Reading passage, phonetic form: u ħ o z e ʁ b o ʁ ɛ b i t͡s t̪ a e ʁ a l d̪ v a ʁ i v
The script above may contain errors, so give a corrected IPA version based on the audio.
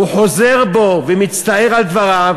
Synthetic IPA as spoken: u ħ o z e ʁ b o v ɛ m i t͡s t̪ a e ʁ a l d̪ v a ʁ a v